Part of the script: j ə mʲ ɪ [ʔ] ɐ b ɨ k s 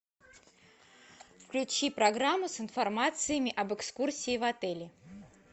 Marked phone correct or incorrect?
correct